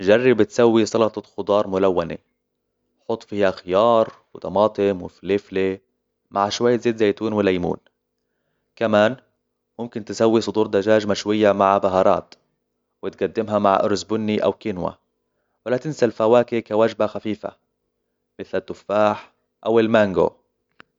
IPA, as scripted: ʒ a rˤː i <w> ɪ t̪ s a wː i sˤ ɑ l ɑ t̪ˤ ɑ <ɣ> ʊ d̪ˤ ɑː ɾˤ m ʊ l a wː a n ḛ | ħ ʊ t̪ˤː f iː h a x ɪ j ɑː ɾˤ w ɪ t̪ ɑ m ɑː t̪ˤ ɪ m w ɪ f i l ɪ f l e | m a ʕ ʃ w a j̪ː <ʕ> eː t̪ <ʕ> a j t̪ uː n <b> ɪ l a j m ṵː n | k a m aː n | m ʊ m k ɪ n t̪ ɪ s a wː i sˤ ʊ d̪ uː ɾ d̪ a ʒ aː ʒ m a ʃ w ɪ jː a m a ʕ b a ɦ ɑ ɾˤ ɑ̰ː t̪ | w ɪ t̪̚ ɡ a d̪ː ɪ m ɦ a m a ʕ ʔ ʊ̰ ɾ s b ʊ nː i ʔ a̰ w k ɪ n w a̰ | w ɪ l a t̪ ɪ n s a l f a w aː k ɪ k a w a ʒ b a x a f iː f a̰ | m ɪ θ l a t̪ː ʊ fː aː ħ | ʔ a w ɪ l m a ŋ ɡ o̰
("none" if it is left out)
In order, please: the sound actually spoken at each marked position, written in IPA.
b, x, z, z, w

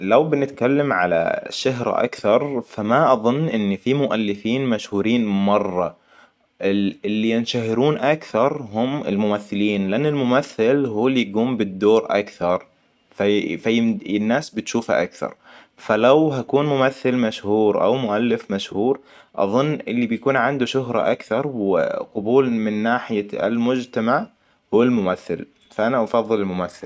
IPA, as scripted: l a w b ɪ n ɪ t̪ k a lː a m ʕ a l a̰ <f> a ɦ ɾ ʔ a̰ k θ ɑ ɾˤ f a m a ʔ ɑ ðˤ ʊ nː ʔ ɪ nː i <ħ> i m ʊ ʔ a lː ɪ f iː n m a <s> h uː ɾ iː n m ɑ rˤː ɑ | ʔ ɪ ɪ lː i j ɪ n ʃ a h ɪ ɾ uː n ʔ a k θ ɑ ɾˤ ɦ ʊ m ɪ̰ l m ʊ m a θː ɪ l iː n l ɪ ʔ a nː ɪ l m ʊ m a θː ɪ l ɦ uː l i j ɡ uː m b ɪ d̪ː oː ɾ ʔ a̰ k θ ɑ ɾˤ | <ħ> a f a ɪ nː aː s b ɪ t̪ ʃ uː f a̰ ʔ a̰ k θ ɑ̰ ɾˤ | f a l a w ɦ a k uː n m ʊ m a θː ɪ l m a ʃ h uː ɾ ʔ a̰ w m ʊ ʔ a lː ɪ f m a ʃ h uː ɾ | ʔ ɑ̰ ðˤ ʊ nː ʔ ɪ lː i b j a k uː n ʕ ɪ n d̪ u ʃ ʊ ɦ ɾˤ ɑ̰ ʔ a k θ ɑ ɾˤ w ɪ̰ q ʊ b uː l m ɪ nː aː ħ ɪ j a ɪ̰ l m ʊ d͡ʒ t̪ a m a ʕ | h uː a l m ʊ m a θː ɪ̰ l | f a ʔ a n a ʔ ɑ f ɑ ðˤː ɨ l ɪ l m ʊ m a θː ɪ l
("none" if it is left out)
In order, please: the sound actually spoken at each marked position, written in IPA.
ʃ, f, ʃ, f

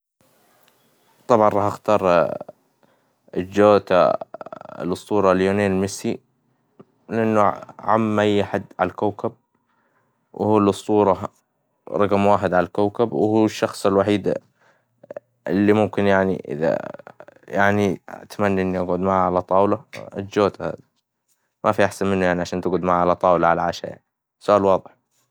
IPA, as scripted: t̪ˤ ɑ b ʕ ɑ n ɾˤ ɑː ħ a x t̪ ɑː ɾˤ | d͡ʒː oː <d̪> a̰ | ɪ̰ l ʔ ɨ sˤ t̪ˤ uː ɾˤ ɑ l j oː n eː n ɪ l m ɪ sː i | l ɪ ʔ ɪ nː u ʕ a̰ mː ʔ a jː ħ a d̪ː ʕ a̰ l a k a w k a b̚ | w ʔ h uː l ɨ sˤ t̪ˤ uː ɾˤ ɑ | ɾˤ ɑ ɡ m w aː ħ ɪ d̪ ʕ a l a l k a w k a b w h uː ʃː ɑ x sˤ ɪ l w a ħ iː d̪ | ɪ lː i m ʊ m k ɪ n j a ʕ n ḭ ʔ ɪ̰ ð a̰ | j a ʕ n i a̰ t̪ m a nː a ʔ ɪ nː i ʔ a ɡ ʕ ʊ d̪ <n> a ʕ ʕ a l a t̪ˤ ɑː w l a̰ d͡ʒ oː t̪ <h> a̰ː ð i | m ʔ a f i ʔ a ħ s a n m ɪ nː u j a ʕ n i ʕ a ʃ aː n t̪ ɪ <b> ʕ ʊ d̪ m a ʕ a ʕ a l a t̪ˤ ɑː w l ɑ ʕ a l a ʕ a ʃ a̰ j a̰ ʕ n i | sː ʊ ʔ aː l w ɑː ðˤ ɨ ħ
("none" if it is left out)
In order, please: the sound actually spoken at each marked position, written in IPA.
t̪, m, h, ɡ

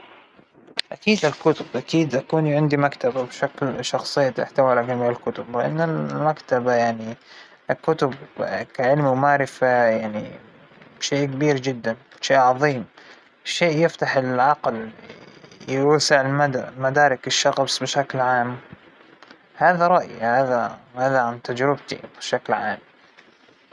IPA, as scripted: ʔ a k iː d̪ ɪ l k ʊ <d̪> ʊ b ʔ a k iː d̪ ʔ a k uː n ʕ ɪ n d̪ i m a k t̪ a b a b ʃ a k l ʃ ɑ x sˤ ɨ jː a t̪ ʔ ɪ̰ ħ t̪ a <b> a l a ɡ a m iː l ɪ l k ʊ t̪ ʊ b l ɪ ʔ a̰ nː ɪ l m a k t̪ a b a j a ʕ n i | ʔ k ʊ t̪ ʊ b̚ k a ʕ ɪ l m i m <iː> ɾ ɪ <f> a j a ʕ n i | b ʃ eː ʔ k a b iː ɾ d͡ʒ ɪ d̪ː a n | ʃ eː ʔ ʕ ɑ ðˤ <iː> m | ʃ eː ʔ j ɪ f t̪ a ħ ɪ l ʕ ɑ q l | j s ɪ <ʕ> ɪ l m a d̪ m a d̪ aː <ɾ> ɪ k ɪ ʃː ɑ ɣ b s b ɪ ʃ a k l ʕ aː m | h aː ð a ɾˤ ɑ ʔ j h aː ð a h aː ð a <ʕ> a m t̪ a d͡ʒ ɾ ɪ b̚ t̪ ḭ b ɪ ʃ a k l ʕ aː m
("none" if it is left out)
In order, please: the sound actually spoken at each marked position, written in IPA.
t̪, w, aː, f, iː, ʕ, ɾ, ʕ

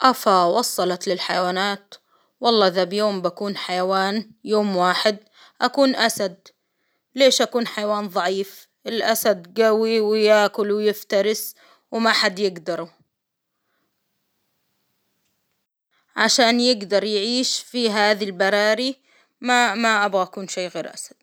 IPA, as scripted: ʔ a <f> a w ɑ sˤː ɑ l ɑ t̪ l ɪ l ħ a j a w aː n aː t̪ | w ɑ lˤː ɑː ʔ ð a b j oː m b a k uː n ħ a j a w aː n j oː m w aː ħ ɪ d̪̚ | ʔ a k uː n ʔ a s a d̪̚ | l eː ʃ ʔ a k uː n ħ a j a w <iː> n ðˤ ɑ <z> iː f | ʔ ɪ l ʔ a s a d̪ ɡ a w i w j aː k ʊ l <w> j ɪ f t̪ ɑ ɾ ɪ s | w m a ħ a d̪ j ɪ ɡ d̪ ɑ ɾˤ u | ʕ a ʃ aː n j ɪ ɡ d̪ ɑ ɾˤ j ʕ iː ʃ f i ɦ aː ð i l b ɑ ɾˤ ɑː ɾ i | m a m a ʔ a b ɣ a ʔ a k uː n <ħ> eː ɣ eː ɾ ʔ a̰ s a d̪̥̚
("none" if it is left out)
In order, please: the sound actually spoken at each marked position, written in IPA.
f, aː, ʕ, w, ʃ

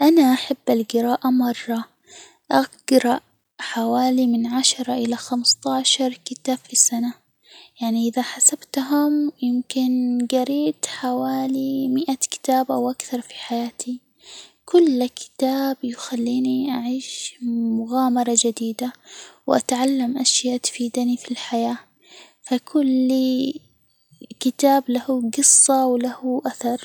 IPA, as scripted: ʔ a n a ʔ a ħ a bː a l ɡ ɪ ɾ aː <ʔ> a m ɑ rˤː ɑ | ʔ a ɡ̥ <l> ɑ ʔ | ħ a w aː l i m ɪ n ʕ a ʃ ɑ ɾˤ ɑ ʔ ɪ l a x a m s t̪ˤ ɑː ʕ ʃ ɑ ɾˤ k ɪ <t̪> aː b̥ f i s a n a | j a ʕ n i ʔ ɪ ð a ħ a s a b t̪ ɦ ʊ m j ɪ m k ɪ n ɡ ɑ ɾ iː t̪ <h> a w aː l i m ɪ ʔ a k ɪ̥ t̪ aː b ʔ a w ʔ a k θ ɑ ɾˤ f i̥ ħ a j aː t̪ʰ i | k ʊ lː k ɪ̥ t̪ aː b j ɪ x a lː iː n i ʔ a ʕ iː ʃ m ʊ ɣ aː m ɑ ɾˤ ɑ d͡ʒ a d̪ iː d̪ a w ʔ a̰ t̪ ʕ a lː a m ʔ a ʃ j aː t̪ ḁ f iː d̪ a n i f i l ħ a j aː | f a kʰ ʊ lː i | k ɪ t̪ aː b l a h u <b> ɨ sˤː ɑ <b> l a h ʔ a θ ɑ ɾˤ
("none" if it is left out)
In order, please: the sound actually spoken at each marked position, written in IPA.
ʔ, ɾ, t̪, ħ, ɡ, w

